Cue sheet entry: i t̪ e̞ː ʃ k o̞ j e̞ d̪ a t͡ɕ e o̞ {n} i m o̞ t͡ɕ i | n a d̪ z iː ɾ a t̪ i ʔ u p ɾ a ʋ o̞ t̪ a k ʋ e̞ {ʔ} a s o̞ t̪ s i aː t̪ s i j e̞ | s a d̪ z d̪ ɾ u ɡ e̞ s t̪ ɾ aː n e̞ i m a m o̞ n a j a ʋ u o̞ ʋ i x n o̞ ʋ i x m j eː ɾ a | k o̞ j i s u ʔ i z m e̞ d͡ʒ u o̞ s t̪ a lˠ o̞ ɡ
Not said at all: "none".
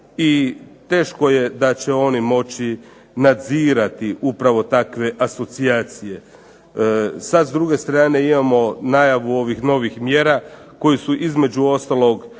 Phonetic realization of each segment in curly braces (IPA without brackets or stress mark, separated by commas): n, ʔ